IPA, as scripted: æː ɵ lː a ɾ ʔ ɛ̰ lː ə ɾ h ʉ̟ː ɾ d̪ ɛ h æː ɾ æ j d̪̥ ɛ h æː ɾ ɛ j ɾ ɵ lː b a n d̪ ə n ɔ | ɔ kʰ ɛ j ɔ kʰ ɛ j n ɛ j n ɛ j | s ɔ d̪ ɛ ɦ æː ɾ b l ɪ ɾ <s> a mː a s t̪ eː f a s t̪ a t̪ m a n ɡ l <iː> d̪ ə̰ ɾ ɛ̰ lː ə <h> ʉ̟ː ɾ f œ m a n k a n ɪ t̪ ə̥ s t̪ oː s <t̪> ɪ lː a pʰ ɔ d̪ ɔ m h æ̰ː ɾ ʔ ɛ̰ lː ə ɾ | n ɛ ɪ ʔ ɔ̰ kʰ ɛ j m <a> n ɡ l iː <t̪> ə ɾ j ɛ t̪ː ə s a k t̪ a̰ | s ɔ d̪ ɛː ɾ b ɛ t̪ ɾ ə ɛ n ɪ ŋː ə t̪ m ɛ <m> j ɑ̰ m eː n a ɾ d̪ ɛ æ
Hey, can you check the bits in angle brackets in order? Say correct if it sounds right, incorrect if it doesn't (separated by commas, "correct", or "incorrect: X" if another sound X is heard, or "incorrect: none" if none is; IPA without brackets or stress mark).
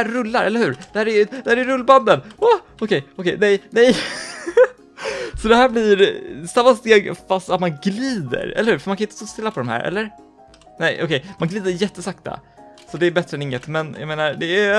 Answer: correct, correct, correct, correct, correct, incorrect: d̪, incorrect: n